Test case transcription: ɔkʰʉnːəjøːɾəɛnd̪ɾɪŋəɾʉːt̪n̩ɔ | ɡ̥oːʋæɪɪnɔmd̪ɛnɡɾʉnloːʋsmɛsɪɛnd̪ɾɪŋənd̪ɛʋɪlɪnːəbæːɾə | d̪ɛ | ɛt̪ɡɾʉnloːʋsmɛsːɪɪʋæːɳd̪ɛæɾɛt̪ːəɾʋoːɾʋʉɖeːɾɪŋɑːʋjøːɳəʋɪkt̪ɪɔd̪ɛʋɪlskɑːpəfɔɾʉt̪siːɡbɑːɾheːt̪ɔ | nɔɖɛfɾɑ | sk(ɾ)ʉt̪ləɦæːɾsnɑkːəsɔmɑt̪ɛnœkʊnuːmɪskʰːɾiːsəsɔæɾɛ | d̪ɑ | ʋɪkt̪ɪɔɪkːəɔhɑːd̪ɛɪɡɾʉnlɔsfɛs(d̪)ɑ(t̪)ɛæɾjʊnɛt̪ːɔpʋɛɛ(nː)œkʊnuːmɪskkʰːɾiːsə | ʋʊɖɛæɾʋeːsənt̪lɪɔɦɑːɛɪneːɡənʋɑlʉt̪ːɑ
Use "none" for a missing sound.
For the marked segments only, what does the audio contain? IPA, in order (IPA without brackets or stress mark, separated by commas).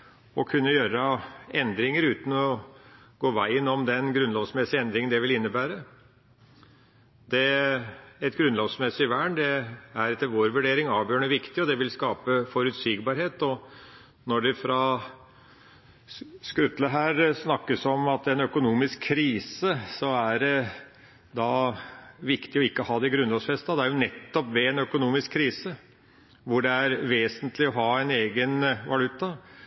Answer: ɾ, t̪, d̪, n